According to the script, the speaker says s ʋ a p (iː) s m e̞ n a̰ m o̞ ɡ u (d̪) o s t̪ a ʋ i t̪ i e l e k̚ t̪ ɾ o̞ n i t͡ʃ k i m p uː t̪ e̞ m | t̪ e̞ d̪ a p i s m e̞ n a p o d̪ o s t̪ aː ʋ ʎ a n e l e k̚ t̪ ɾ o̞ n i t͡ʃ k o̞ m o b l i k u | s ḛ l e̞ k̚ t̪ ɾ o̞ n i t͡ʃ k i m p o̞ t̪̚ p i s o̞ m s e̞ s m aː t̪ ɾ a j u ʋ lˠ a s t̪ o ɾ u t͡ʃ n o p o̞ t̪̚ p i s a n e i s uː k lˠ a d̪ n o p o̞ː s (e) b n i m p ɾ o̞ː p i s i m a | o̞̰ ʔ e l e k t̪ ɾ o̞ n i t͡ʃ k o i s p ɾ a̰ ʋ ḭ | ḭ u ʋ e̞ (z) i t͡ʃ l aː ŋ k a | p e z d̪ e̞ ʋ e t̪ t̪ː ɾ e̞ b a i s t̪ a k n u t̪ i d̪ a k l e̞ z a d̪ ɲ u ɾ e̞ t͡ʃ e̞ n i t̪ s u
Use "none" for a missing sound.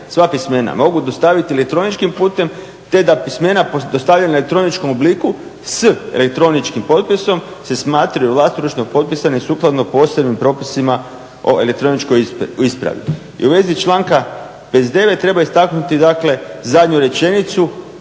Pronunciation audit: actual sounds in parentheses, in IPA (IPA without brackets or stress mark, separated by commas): i, d̪, e, z